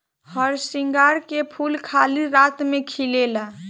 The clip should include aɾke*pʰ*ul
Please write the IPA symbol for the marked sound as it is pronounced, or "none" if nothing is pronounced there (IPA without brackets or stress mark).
pʰ